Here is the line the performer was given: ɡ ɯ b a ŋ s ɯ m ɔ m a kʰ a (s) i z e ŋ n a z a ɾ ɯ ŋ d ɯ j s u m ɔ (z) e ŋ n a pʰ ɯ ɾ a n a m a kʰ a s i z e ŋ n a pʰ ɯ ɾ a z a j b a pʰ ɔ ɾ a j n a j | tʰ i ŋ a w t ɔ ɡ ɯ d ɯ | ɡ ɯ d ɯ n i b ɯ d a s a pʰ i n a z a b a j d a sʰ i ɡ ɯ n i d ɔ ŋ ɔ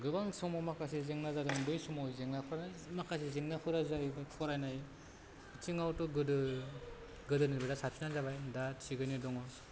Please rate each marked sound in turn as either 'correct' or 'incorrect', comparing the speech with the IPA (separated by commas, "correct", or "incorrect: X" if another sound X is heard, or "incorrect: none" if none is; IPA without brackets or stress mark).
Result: correct, correct